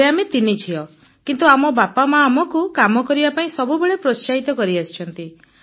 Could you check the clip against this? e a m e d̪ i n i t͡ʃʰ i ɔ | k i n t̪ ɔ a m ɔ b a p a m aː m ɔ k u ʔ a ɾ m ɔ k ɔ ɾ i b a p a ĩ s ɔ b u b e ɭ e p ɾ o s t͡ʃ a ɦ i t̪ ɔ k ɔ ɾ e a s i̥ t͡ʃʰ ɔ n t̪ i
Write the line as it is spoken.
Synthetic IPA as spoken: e a m e t̪ i n i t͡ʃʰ i ɔ | k i n t̪ u a m ɔ b a p a m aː m ɔ k u k a m ɔ k ɔ ɾ i b a p a ĩ s ɔ b u b e ɭ e p ɾ o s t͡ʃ a ɦ i t̪ ɔ k ɔ ɾ i a s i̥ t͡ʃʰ ɔ n t̪ i